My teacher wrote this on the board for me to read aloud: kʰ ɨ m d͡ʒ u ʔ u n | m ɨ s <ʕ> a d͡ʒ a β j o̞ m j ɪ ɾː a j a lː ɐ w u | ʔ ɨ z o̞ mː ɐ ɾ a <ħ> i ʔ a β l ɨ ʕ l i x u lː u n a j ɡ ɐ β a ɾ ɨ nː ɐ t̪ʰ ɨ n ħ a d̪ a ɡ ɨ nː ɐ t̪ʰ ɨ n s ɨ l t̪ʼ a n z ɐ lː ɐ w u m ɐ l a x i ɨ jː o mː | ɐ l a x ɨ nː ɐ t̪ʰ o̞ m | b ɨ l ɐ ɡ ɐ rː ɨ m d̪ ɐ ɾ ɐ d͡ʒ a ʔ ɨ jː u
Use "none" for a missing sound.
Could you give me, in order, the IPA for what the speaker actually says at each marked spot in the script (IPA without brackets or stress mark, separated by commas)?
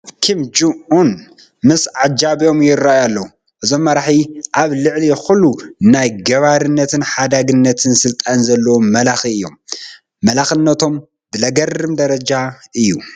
ʕ, ħ